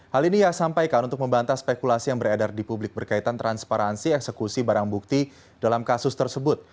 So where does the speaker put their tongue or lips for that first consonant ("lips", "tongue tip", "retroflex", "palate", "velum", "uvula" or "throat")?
throat